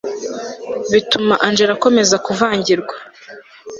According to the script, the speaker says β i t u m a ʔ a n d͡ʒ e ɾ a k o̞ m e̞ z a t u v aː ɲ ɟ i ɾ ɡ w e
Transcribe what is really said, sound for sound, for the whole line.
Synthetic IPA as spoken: β i t u m a ʔ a n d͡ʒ e ɾ a k o̞ m e̞ z a k u v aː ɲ ɟ i ɾ ɡ w a